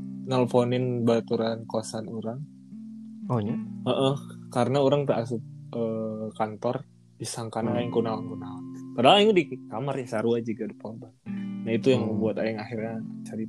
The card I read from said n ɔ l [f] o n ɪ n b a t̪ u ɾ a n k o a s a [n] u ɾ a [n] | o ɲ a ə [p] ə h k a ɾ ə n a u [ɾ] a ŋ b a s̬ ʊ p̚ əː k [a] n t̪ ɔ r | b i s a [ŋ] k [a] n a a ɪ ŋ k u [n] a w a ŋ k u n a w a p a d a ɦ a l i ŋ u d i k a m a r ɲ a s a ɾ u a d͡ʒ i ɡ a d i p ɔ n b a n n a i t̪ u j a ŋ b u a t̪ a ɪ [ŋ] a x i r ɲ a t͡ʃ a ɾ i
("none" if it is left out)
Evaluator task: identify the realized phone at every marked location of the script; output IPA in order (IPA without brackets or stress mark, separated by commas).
f, n, ŋ, ʔ, ɾ, a, ŋ, a, n, ŋ